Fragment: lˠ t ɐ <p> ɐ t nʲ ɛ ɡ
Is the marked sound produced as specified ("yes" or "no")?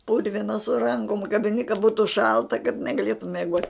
no